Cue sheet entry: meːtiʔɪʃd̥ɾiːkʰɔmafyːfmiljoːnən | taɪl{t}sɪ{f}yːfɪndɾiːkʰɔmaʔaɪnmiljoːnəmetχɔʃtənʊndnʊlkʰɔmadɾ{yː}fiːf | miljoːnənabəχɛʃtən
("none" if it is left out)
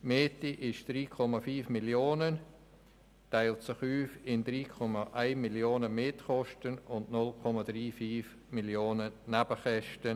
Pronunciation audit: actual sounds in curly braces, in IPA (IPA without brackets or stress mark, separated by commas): t, χ, iː